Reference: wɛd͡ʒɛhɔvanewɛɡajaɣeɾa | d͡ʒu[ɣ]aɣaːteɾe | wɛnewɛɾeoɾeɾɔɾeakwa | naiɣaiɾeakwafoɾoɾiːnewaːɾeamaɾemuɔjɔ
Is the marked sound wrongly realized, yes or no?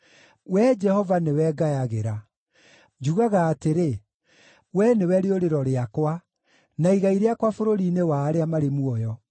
no